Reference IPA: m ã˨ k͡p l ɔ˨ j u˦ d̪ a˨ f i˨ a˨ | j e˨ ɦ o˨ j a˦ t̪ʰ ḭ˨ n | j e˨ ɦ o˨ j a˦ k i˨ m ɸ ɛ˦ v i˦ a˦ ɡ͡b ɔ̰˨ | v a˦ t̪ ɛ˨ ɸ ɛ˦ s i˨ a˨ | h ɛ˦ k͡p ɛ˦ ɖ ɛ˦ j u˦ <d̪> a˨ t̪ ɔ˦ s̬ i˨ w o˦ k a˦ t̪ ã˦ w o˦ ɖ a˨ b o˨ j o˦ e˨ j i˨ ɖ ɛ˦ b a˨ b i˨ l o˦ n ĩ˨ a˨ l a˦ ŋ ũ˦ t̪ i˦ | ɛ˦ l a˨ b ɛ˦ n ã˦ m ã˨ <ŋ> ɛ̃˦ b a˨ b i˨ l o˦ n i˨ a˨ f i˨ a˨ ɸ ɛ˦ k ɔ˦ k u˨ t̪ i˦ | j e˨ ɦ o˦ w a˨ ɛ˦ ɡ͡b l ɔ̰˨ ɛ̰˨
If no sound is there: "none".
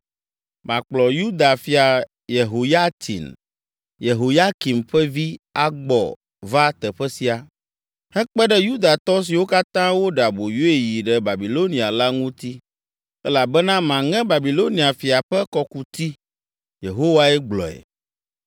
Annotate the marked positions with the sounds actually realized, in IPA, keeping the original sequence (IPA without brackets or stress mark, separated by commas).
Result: d̪, ŋ